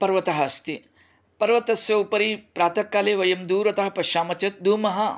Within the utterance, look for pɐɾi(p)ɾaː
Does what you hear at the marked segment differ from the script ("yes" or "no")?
no